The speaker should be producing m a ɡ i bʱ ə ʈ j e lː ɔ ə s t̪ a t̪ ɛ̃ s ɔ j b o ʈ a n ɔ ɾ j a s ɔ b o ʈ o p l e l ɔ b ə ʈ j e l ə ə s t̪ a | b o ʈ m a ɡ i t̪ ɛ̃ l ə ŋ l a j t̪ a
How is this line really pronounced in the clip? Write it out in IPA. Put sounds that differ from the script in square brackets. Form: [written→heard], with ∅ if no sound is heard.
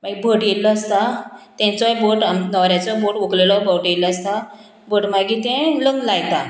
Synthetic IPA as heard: m a ɡ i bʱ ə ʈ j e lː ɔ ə s t̪ a t̪ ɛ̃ [s→t͡s] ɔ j b o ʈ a n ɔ ɾ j a [s→t͡s] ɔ b o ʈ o [p→k] l e l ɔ b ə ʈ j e l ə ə s t̪ a | b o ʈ m a ɡ i t̪ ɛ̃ l ə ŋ l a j t̪ a